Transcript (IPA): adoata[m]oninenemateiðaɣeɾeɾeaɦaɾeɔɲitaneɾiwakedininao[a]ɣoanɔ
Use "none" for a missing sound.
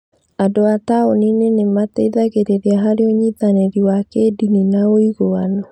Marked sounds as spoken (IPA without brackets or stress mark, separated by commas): none, i